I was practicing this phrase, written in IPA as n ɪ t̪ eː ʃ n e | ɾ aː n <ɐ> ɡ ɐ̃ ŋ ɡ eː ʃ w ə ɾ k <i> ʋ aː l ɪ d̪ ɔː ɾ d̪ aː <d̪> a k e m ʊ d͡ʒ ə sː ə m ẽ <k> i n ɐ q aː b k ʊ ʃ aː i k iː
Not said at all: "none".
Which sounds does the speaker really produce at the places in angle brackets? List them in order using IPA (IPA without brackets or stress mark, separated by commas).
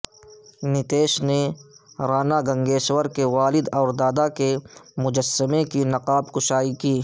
a, e, d̪, k